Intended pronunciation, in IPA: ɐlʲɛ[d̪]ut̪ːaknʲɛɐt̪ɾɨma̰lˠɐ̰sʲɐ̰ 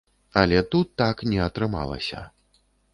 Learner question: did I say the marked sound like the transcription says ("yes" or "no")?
no